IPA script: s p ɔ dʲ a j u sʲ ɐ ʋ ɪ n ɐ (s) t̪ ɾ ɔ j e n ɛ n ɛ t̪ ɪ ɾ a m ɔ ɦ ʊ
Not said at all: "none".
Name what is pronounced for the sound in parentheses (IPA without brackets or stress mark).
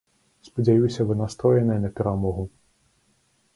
s